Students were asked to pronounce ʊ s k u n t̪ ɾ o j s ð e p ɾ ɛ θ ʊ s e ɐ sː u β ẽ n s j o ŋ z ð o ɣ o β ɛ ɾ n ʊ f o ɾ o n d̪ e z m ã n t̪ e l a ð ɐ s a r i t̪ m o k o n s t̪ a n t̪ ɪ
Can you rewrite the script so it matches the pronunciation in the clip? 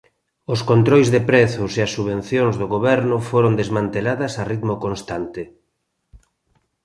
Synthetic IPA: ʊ s k o n t̪ ɾ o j z ð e p ɾ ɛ θ ʊ s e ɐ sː u β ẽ n θ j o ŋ z ð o ɣ o β ɛ ɾ n ʊ f o ɾ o n d̪ e z m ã n t̪ e l a ð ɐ s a r i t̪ m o k o n s t̪ a n t̪ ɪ

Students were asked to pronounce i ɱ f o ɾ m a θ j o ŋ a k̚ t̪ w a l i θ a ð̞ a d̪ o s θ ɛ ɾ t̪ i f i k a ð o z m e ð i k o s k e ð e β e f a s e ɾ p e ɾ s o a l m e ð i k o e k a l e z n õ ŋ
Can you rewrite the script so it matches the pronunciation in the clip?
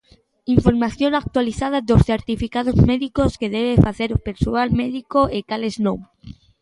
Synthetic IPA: i ɱ f o ɾ m a θ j o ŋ a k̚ t̪ w a l i θ a ð̞ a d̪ o s θ e ɾ t̪ i f i k a ð o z m e ð i k o s k e ð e β e f a θ e ɾ p e ɾ s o a l m e ð i k o e k a l e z n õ ŋ

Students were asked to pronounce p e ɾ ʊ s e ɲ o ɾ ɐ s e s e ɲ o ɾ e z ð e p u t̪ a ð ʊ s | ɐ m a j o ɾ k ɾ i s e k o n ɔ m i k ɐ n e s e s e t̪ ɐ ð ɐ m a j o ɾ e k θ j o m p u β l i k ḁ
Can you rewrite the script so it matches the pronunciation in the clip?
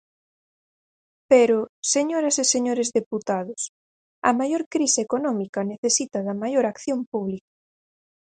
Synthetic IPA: p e ɾ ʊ s e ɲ o ɾ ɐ s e s e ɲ o ɾ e z ð e p u t̪ a ð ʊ s | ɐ m a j o ɾ k ɾ i s e k o n ɔ m i k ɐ n e θ e s i t̪ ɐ ð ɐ m a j o ɾ a k θ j o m p u β l i k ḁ

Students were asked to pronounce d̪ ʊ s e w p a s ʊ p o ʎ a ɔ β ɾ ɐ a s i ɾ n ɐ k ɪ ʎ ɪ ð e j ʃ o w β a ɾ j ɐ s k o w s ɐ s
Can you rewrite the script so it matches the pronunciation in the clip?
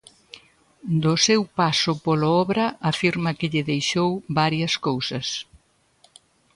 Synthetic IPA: d̪ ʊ s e w p a s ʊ p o l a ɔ β ɾ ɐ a f i ɾ m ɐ k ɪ ʎ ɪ ð e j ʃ o w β a ɾ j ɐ s k o w s ɐ s

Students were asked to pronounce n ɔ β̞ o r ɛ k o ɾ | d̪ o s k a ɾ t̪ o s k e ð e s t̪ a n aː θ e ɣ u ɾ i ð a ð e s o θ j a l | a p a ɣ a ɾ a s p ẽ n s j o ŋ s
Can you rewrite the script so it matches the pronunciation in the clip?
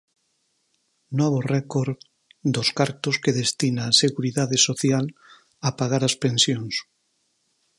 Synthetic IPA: n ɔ β̞ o r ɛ k o ɾ | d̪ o s k a ɾ t̪ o s k e ð e s t̪ i n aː s e ɣ u ɾ i ð a ð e s o θ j a l | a p a ɣ a ɾ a s p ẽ n s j o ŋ s

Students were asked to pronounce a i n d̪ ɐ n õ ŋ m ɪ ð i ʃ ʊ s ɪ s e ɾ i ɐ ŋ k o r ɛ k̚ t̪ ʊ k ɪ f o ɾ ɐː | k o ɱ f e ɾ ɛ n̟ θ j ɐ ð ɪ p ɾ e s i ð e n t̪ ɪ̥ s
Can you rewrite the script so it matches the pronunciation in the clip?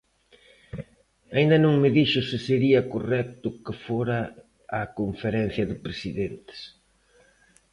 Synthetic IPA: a i n d̪ ɐ n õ ŋ m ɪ ð i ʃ ʊ s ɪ s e ɾ i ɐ k o r ɛ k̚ t̪ ʊ k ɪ f o ɾ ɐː | k o ɱ f e ɾ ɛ n̟ θ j ɐ ð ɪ p ɾ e s i ð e n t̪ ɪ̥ s

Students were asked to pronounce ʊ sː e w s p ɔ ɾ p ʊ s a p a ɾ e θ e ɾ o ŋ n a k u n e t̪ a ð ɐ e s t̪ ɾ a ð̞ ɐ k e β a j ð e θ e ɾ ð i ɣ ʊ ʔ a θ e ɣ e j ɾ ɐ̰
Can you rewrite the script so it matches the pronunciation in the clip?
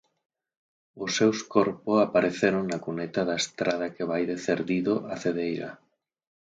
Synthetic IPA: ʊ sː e w s k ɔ ɾ p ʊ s a p a ɾ e θ e ɾ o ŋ n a k u n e t̪ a ð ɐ e s t̪ ɾ a ð̞ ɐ k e β a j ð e θ e ɾ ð i ð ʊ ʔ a θ e ð e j ɾ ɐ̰

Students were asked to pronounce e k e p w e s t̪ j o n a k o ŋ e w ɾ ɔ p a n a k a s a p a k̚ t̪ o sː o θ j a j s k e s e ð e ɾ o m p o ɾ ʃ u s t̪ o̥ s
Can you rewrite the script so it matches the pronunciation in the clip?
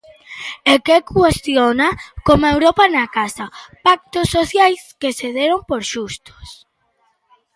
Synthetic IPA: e k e k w e s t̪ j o n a k o m e w ɾ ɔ p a n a k a s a p a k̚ t̪ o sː o θ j a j s k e s e ð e ɾ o m p o ɾ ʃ u s t̪ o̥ s

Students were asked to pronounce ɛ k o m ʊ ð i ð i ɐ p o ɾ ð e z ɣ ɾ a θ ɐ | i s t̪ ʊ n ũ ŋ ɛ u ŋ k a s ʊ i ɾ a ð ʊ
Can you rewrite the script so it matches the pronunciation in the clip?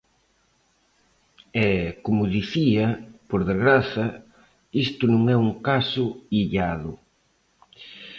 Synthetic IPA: ɛ k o m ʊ ð i θ i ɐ p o ɾ ð e z ɣ ɾ a θ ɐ | i s t̪ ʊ n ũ ŋ ɛ u ŋ k a s ʊ i ʎ a ð ʊ

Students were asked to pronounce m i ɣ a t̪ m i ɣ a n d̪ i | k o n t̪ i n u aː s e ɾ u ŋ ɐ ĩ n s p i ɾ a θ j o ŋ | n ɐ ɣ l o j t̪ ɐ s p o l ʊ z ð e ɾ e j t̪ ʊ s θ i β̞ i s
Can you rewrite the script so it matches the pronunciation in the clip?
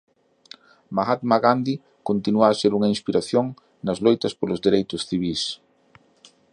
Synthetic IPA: m a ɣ a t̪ m a ɣ a n d̪ i | k o n t̪ i n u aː s e ɾ u ŋ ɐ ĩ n s p i ɾ a θ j o ŋ | n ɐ z l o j t̪ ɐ s p o l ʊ z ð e ɾ e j t̪ ʊ s θ i β̞ i s

